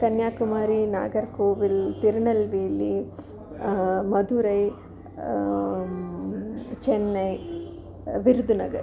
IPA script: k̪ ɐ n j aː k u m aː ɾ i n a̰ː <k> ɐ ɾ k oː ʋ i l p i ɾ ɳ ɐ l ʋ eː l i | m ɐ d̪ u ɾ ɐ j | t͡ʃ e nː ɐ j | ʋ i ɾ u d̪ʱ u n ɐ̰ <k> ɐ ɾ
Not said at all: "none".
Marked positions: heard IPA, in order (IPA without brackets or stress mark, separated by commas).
ɡ, ɡ